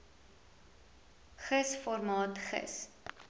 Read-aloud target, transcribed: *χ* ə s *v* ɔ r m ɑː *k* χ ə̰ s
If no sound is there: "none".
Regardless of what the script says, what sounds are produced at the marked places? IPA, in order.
χ, f, t

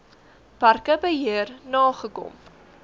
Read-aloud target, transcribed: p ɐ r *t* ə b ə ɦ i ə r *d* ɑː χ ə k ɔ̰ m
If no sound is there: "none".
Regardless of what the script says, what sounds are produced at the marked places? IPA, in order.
k, n

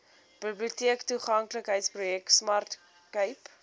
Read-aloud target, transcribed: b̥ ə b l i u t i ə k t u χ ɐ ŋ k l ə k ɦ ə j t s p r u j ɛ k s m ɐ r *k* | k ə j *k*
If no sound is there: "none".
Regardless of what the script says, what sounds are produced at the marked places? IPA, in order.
t, p

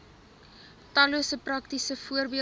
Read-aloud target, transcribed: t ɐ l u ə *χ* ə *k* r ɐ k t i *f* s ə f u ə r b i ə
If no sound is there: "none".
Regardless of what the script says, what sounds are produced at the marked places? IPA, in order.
s, p, none

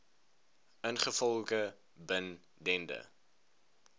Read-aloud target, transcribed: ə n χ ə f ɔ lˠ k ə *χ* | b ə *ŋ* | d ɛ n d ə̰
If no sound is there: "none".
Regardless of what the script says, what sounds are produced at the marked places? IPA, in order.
none, n

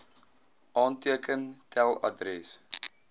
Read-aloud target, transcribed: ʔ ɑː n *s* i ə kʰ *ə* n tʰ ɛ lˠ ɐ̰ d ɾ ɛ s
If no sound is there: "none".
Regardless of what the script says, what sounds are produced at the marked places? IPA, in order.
t, ə

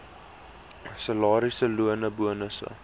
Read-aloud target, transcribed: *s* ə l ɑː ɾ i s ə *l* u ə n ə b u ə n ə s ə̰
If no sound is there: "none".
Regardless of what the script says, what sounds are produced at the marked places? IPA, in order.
s, l

